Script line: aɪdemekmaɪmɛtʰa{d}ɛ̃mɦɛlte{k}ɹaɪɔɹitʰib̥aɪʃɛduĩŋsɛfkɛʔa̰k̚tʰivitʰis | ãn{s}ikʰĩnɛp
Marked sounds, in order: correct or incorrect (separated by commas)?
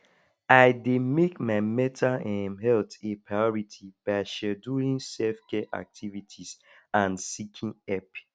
incorrect, incorrect, correct